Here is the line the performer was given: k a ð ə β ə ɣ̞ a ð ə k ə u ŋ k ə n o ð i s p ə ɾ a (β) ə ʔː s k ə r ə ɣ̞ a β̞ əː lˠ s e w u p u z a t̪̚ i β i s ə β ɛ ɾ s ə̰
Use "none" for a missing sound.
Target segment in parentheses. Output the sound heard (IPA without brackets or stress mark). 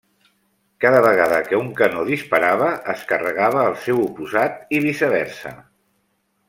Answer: β